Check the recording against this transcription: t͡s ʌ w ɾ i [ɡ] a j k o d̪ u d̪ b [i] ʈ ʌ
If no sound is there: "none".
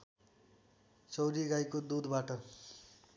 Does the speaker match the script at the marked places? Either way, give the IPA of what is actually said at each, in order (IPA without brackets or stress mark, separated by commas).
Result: ɡ, a